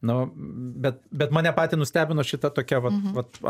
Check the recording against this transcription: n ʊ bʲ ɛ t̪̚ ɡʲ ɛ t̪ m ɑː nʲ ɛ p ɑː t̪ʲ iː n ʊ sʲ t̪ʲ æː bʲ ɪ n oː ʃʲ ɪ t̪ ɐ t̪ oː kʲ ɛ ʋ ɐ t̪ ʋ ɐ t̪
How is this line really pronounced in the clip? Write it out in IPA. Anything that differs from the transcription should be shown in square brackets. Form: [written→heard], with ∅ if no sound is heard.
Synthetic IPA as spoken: n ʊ bʲ ɛ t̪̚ [ɡʲ→bʲ] ɛ t̪ m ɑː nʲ ɛ p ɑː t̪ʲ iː n ʊ sʲ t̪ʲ æː bʲ ɪ n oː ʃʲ ɪ t̪ ɐ t̪ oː kʲ ɛ ʋ ɐ t̪ ʋ ɐ t̪